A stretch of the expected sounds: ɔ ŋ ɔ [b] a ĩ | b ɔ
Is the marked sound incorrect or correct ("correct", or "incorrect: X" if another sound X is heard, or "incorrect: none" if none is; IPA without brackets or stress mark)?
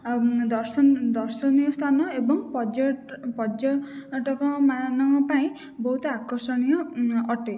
incorrect: p